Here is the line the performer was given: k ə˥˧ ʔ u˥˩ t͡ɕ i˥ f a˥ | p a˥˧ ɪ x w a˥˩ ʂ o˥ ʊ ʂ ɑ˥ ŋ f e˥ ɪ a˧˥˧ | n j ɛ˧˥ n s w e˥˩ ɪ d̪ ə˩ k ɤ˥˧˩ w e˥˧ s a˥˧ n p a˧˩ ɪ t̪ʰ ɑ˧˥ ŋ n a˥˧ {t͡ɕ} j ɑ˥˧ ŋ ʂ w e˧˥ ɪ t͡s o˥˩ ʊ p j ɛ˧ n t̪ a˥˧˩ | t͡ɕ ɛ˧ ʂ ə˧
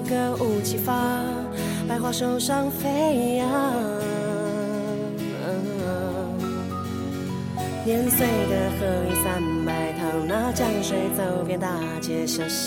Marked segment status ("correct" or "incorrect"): correct